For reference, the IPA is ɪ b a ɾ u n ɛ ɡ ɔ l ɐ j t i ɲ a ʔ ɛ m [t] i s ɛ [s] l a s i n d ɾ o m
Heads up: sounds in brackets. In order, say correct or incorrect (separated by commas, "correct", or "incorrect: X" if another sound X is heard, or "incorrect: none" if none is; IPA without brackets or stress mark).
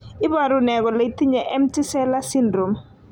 correct, incorrect: none